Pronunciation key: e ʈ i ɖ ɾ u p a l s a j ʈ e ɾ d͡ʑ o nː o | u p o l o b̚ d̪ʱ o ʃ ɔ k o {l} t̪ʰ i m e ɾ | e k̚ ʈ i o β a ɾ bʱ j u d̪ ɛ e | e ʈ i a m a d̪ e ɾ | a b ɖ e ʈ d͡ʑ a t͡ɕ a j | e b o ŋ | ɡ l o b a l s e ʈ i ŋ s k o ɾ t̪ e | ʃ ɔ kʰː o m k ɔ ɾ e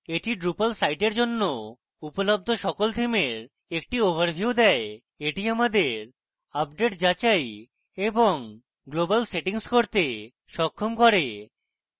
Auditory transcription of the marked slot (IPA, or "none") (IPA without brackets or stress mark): l